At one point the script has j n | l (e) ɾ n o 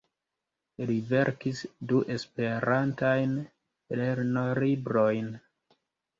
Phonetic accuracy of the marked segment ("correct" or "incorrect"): correct